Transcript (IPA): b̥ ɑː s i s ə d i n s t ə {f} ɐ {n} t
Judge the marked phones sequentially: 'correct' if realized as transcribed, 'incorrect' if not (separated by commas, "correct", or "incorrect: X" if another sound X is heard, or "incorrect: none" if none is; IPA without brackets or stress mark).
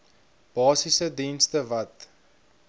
incorrect: v, incorrect: none